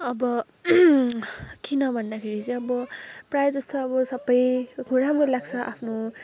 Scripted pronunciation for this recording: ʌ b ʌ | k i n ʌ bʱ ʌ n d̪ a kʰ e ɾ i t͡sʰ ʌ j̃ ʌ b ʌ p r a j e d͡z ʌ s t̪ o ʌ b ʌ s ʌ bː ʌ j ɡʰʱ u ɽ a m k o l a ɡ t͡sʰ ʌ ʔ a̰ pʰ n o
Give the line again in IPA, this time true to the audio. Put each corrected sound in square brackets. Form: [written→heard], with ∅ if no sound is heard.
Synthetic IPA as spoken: ʌ b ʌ | k i n ʌ bʱ ʌ n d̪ a kʰ e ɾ i [t͡sʰ→t͡s] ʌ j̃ ʌ b ʌ p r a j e d͡z ʌ s t̪ o ʌ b ʌ s ʌ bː ʌ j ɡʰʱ u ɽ a m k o l a ɡ t͡sʰ ʌ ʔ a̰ pʰ n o